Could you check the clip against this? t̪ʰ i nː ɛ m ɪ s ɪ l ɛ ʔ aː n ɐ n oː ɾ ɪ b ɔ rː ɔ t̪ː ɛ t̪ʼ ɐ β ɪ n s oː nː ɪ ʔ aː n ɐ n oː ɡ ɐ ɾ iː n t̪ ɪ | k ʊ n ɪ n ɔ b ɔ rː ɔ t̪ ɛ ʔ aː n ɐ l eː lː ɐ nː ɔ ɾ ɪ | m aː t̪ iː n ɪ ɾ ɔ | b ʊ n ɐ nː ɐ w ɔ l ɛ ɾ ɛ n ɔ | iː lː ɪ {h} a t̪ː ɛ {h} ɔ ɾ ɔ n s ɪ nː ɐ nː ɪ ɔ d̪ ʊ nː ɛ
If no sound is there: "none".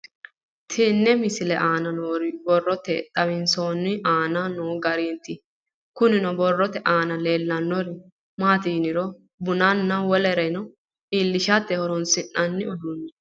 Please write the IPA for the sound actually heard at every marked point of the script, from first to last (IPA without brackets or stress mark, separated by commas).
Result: ʃ, h